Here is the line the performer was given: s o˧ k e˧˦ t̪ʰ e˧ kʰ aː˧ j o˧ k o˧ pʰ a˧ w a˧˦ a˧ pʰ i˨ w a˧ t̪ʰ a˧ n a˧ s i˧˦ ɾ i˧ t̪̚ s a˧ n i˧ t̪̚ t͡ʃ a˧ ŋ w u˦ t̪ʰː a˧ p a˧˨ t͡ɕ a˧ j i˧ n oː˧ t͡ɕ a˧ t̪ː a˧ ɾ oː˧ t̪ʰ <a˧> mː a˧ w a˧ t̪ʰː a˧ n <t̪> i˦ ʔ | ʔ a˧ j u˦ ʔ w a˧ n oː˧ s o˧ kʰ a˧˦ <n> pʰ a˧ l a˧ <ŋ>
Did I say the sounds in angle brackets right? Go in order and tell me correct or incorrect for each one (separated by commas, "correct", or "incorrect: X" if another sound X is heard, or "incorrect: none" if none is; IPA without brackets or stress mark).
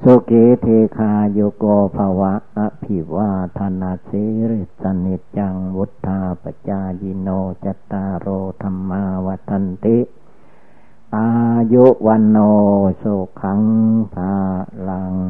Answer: correct, correct, incorrect: ŋ, correct